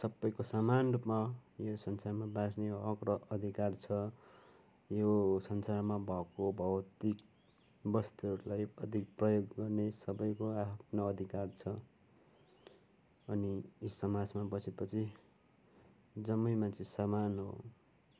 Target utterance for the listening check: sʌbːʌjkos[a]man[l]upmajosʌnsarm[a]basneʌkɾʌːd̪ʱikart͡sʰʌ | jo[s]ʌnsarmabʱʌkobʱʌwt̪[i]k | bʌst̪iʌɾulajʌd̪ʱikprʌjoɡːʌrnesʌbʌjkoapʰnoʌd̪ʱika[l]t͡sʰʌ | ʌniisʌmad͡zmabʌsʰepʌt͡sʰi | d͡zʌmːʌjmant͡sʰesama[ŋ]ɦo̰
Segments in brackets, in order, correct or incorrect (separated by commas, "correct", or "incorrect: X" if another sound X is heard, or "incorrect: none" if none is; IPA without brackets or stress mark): correct, incorrect: r, correct, correct, correct, incorrect: r, incorrect: n